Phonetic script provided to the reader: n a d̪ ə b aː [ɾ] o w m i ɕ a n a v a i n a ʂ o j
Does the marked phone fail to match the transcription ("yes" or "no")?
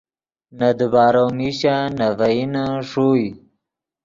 no